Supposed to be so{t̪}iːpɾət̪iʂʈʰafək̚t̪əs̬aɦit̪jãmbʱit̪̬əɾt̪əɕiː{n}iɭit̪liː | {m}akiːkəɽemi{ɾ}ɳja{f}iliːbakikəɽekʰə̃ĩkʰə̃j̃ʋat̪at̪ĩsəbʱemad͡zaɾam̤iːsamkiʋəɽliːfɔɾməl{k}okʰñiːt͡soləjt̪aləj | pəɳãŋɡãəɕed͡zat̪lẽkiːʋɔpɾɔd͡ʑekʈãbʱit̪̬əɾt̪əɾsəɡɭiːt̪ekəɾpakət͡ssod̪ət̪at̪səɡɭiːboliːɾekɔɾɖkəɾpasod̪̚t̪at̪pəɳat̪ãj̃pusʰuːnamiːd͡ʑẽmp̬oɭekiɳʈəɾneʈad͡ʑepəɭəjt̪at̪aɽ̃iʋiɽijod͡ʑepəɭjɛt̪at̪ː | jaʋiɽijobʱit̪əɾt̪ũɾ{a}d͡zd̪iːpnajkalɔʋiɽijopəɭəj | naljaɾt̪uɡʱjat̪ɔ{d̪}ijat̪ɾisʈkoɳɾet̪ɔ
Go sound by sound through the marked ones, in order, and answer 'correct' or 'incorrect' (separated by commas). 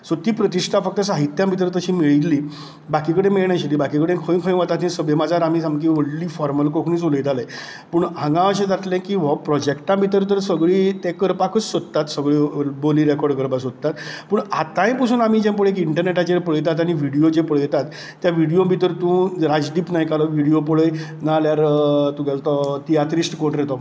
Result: correct, incorrect, incorrect, incorrect, incorrect, correct, correct, incorrect